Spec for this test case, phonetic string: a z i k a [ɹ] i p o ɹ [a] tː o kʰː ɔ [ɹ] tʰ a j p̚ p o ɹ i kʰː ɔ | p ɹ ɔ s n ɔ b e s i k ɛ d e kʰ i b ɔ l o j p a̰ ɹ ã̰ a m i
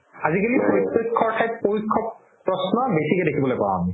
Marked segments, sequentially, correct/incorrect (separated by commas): incorrect, incorrect, correct